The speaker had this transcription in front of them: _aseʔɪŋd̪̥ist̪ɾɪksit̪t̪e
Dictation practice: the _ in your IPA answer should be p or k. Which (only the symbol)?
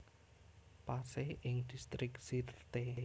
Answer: p